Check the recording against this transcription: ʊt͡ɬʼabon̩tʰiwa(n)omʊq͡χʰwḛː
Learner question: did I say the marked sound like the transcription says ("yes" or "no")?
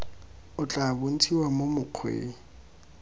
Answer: no